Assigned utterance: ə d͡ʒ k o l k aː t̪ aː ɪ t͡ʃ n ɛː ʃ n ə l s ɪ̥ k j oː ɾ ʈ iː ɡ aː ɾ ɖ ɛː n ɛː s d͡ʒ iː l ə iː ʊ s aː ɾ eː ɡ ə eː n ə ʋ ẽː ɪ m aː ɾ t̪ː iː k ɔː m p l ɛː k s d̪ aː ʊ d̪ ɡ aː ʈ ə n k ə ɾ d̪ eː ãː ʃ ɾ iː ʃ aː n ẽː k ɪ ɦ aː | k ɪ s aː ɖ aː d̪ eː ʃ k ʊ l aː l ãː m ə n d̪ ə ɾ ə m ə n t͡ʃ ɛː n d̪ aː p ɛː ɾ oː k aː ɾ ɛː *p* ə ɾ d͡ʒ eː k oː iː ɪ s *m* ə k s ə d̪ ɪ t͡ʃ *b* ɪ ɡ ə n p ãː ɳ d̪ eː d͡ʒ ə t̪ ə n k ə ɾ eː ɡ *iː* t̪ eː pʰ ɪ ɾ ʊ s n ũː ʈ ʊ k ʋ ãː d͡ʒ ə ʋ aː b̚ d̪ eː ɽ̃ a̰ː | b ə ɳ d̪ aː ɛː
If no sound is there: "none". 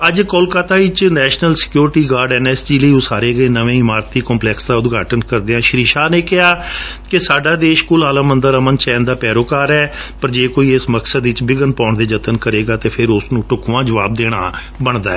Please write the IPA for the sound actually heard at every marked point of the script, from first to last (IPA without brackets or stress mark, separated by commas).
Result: p, m, b, aː